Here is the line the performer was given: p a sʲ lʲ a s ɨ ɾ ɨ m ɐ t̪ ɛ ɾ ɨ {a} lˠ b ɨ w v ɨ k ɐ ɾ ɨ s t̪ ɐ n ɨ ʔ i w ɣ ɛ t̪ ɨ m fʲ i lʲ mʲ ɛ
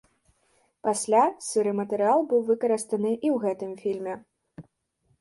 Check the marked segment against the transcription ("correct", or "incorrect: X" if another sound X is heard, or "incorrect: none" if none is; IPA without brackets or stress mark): correct